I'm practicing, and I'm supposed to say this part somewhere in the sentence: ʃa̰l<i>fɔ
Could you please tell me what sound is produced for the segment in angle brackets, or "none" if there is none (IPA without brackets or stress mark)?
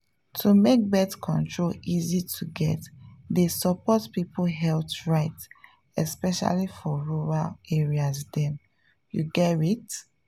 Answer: i